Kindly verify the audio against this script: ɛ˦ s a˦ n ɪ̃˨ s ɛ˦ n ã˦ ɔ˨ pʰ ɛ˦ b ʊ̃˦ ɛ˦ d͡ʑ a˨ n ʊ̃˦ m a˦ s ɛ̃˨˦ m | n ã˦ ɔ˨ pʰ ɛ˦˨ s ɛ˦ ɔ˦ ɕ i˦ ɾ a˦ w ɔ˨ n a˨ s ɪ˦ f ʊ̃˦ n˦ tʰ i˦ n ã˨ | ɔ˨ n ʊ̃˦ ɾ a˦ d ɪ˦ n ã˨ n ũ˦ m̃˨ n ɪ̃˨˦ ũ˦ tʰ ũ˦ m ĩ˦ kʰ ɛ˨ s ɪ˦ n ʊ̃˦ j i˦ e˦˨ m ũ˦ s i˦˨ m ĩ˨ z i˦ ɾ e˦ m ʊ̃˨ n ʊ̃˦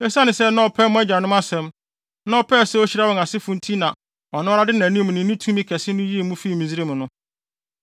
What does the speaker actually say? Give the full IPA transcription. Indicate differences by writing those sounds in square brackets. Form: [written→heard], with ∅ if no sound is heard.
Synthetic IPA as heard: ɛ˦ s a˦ n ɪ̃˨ s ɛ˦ n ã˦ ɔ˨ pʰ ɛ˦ [b→m] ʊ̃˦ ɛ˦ d͡ʑ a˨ n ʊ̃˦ m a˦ s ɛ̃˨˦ m | n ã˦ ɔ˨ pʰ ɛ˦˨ s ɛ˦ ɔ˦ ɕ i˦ ɾ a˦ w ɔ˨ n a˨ s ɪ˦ f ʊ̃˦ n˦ tʰ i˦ n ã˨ | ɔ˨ n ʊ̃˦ ɾ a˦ d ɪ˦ n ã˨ n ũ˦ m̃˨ n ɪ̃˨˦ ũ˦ tʰ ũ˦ m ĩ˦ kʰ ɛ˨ s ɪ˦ n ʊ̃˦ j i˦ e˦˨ m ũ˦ [s→f] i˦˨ m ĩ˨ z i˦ ɾ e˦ m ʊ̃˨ n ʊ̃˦

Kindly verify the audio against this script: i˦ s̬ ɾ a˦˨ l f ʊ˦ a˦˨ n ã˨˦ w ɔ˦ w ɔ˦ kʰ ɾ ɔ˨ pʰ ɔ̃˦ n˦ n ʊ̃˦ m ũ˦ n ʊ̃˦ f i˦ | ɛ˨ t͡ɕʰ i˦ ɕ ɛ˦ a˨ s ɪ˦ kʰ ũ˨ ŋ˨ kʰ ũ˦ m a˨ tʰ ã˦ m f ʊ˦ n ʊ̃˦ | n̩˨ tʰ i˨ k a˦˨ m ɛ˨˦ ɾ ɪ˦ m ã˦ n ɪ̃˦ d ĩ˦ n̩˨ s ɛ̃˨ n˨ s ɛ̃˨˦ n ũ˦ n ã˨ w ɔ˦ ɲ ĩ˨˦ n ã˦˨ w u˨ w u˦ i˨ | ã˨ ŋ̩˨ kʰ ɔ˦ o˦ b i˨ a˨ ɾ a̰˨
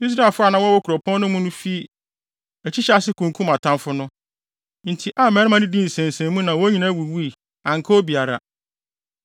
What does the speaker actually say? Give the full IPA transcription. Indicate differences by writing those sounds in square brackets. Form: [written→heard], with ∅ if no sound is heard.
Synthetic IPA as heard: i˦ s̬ ɾ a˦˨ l f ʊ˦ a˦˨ n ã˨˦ w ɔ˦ w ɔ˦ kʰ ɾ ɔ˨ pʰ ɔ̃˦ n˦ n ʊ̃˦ m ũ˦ n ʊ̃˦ f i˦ | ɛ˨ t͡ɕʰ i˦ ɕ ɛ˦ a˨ s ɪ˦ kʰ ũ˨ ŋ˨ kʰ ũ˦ m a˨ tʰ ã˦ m f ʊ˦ n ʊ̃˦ | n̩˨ tʰ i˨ [k→ʔ] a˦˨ m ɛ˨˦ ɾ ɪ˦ m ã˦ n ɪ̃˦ d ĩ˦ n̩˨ s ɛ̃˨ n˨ s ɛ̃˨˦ [n→m] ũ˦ n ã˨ w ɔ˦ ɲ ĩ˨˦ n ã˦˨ w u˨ w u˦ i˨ | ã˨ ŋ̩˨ kʰ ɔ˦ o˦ b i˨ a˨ ɾ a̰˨

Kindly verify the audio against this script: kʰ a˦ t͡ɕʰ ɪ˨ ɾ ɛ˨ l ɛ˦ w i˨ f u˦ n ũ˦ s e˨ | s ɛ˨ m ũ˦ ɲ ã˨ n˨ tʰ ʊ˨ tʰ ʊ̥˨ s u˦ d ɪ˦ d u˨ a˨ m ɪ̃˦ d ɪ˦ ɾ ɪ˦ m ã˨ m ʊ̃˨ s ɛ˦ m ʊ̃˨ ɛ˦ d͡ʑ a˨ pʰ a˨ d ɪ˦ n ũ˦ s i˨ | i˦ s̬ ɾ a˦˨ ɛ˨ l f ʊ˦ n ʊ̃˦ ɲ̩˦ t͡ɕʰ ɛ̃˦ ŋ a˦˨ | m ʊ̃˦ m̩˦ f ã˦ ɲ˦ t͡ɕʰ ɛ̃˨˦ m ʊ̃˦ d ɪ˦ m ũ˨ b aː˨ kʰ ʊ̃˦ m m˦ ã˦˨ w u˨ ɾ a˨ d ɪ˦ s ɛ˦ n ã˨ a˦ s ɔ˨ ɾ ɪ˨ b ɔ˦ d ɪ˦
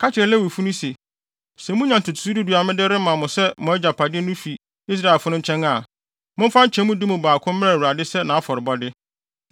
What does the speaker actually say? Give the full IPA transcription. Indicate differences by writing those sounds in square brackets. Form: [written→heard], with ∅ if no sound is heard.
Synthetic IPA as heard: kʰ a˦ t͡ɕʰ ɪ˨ ɾ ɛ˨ l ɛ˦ w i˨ f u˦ n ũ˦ s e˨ | s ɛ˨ m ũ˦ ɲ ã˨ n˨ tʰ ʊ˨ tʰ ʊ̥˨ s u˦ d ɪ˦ d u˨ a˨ m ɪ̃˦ d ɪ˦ ɾ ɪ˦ m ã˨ m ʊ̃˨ s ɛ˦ m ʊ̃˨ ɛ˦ d͡ʑ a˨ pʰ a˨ d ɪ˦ n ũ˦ [s→f] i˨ | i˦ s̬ ɾ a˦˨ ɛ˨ l f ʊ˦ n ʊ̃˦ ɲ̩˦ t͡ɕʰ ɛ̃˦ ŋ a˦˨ | m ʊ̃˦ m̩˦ f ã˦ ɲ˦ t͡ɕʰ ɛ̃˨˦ m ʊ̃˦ d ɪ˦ m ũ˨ b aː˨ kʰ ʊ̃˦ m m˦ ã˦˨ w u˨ ɾ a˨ d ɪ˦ s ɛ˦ n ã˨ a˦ [s→f] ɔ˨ ɾ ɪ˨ b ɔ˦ d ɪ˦

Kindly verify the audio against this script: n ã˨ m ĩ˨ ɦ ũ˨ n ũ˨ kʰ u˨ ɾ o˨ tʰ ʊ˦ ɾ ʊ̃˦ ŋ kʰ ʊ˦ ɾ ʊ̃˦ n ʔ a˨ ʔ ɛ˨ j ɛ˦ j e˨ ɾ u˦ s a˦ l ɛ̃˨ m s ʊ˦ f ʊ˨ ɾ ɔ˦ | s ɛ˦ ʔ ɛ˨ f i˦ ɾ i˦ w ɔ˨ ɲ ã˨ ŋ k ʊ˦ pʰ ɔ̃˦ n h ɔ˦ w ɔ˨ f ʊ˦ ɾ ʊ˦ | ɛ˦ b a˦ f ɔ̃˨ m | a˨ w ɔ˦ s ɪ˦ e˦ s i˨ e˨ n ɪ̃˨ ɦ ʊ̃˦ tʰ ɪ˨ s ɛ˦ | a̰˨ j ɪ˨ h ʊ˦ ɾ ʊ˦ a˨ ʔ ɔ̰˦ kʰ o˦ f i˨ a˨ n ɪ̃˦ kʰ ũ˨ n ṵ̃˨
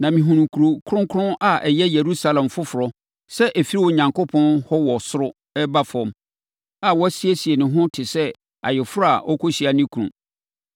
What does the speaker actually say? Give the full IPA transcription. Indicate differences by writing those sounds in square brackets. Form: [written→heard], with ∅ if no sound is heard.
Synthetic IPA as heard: n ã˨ m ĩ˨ ɦ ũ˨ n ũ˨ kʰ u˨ ɾ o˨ [tʰ→kʰ] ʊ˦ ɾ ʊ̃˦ ŋ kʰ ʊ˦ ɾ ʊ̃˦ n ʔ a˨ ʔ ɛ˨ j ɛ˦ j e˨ ɾ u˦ s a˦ l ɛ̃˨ m [s→f] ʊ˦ f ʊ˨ ɾ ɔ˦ | s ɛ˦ ʔ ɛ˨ f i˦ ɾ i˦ w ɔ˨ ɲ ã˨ ŋ k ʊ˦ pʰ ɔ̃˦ n h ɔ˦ w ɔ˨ [f→s] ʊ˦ ɾ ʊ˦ | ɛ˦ b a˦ f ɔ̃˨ m | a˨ w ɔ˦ s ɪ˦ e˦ s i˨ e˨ n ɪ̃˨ ɦ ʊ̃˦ tʰ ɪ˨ s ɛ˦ | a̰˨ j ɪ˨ [h→f] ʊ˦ ɾ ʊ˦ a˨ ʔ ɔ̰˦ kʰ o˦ [f→ɕ] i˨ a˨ n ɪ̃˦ kʰ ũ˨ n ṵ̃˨

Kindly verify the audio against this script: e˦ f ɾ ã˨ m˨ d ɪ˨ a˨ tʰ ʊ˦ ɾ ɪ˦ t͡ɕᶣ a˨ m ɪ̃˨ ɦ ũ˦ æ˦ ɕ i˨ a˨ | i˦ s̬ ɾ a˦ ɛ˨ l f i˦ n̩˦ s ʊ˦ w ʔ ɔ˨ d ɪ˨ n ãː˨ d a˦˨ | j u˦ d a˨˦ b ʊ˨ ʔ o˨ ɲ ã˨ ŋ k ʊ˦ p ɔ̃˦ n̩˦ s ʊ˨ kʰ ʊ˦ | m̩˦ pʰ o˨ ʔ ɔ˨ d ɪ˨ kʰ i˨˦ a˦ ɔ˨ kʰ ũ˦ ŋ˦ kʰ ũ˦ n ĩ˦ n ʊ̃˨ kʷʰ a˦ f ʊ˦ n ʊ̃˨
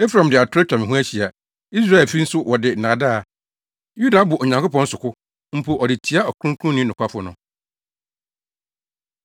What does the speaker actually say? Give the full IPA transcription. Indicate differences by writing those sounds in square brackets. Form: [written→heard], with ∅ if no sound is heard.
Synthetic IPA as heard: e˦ f ɾ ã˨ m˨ d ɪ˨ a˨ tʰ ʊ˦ ɾ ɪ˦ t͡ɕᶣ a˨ m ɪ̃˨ ɦ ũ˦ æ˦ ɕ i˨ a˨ | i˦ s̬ ɾ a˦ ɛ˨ l f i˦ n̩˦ s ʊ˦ w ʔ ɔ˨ d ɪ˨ n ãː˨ d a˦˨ | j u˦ d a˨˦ b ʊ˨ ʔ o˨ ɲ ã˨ ŋ k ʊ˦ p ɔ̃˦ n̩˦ s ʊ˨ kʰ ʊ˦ | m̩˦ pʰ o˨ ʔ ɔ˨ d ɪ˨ [kʰ→tʰ] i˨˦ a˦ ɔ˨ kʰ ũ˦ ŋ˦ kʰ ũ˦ n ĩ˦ n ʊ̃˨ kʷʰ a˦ f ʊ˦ n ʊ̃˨

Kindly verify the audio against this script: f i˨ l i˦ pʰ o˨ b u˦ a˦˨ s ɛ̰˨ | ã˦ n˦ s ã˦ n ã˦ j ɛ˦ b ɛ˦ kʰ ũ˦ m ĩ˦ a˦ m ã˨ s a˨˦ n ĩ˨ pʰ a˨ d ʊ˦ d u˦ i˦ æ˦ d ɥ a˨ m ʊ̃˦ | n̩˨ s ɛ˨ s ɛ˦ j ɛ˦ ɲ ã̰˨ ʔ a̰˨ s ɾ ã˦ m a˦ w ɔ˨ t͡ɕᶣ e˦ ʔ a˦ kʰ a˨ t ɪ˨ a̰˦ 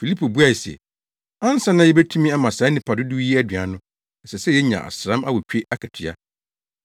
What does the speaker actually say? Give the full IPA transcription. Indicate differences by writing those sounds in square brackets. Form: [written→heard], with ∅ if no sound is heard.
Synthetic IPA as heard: f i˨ l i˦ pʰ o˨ b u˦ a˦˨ s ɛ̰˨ | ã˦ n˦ s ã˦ n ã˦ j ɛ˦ b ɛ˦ [kʰ→tʰ] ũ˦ m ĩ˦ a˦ m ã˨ s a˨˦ n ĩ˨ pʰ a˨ d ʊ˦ d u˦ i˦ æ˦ d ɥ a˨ [m→n] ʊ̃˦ | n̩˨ s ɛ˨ s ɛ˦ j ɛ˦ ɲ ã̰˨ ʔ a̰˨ s ɾ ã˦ m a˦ w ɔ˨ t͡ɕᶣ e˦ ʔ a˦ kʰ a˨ [t→tʰ] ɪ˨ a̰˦

